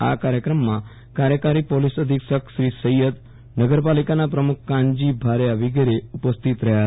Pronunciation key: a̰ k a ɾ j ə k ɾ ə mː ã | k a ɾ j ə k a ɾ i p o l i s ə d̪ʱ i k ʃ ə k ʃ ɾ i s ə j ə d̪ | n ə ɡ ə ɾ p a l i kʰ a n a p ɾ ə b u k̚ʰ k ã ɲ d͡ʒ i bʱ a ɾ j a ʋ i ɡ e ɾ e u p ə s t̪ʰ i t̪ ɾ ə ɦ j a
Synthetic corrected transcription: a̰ k a ɾ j ə k ɾ ə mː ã | k a ɾ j ə k a ɾ i p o l i s ə d̪ʱ i k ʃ ə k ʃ ɾ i s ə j ə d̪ | n ə ɡ ə ɾ p a l i k a n a p ɾ ə m u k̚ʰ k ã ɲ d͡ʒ i bʱ a ɾ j a ʋ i ɡ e ɾ e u p ə s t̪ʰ i t̪ ɾ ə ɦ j a